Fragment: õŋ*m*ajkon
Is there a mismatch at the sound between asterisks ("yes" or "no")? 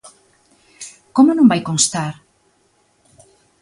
yes